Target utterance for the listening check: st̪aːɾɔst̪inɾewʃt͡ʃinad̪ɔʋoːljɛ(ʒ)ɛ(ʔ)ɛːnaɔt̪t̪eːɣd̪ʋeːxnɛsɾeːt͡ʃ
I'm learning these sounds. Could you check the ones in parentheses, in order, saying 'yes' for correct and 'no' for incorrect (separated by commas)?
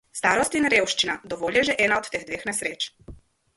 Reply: yes, yes